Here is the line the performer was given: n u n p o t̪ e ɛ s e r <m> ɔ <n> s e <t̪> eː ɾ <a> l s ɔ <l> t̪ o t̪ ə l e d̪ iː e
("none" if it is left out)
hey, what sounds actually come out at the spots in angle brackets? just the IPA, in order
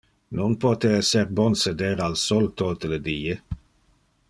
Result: b, n, d̪, a, l

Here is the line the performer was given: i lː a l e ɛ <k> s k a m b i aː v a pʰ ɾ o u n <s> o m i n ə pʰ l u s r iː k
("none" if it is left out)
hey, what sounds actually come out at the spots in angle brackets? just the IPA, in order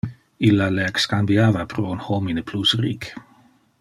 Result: k, h

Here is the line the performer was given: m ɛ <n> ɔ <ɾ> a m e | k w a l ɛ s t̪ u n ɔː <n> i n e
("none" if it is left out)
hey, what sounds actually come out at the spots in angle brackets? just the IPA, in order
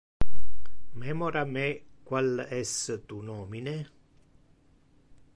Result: m, ɾ, m

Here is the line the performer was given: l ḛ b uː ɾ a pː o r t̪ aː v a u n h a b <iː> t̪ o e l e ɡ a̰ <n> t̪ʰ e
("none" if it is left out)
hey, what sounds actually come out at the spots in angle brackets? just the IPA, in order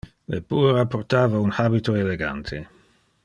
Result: i, n

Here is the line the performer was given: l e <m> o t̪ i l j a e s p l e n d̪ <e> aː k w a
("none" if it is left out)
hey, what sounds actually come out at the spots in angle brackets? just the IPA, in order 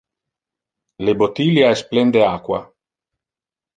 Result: b, e

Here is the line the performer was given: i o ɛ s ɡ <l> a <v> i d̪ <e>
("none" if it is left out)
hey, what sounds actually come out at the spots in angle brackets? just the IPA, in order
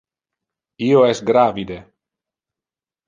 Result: ɾ, v, e

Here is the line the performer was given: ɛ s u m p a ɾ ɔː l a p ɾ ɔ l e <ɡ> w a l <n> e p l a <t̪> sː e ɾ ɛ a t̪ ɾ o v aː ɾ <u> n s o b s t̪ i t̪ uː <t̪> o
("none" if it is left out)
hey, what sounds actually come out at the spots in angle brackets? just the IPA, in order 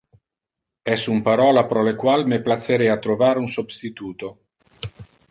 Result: k, m, t̪, u, t̪

